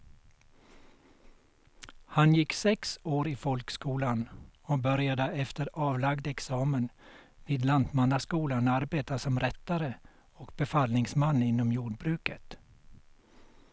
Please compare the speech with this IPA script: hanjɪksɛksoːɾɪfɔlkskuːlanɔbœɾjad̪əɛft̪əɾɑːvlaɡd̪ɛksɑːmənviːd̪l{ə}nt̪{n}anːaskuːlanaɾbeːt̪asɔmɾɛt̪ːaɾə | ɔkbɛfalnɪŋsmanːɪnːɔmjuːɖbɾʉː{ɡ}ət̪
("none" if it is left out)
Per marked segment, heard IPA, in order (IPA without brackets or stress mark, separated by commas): a, m, k